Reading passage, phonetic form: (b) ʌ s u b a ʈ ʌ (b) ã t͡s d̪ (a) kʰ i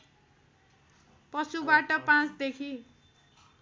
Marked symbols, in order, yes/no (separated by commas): no, no, no